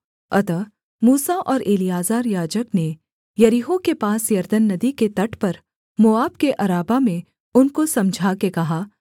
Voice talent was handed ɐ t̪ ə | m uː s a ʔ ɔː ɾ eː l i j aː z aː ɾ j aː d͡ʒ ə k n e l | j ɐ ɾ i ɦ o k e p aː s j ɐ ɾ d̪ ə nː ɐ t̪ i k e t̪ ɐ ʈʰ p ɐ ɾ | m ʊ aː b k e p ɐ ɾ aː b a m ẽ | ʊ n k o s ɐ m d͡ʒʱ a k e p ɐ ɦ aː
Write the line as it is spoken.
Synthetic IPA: ɐ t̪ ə | m uː s a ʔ ɔː ɾ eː l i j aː z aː ɾ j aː d͡ʒ ə k n e | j ɐ ɾ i ɦ o k e p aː s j ɐ ɾ d̪ ə nː ɐ d̪ i k e t̪ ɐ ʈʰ p ɐ ɾ | m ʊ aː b k e ʔ ɐ ɾ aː b a m ẽ | ʊ n k o s ɐ m d͡ʒʱ a k e k ɐ ɦ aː

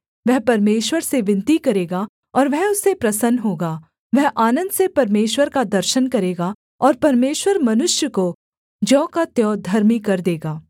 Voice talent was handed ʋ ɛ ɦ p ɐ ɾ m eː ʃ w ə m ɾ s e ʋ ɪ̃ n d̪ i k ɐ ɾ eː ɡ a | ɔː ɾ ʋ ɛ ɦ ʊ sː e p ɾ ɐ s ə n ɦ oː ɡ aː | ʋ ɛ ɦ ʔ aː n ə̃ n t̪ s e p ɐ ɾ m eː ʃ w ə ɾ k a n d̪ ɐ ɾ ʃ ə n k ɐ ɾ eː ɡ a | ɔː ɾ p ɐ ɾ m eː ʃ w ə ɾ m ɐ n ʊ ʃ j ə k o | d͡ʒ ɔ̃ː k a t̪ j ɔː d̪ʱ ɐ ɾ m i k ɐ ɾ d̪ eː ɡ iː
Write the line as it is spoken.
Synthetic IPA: ʋ ɛ ɦ p ɐ ɾ m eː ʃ w ə ɾ s e ʋ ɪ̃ n t̪ i k ɐ ɾ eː ɡ a | ɔː ɾ ʋ ɛ ɦ ʊ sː e p ɾ ɐ s ə n ɦ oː ɡ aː | ʋ ɛ ɦ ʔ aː n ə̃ n d̪ s e p ɐ ɾ m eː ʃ w ə ɾ k a d̪ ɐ ɾ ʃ ə n k ɐ ɾ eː ɡ a | ɔː ɾ p ɐ ɾ m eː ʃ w ə ɾ m ɐ n ʊ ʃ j ə k o | d͡ʒ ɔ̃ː k a t̪ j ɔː d̪ʱ ɐ ɾ m i k ɐ ɾ d̪ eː ɡ aː

